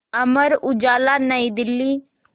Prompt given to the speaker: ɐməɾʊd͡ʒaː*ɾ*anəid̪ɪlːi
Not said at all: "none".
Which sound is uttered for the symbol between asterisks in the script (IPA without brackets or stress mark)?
l